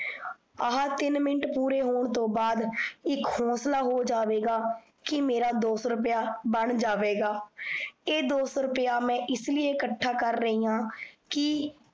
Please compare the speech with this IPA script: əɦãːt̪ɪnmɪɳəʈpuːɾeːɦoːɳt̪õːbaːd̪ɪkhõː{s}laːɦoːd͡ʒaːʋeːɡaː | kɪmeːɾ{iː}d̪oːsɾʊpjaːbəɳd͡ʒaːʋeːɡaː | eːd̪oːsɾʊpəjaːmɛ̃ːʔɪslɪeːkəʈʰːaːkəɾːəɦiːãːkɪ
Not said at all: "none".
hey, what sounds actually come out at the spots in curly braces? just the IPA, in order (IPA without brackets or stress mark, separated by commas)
s, aː